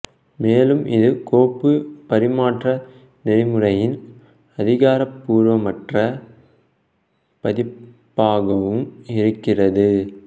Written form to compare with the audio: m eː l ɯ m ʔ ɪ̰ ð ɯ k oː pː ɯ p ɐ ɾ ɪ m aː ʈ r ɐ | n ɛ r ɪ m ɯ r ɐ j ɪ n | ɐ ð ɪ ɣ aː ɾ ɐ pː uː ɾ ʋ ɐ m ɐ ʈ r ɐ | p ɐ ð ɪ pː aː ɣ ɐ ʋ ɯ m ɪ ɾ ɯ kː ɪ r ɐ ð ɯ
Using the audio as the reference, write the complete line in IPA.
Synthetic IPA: m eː l ɯ m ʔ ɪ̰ ð ɯ k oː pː ɯ p ɐ ɾ ɪ m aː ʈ r ɐ | n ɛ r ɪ m ɯ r ɐ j ɪ n | ɐ ð ɪ ɣ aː ɾ ɐ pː uː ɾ ʋ ɐ m ɐ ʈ r ɐ | p ɐ ð ɪ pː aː ɣ ɐ ʋ ɯ m ɪ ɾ ɯ kː ɪ r ɐ ð ɯ